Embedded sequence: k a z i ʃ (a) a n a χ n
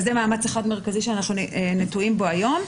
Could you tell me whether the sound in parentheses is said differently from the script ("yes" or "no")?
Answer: yes